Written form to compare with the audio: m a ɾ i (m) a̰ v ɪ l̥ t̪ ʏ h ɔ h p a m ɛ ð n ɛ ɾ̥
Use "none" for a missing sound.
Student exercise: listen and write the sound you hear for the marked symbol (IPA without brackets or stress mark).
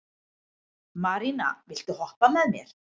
n